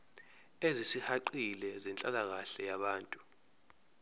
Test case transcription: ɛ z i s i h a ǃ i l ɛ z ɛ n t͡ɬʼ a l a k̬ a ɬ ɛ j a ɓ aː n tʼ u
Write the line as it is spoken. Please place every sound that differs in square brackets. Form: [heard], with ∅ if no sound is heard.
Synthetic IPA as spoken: [e] z i s i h a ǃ i l ɛ z ɛ n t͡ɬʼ a l a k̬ a ɬ ɛ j a ɓ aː n tʼ u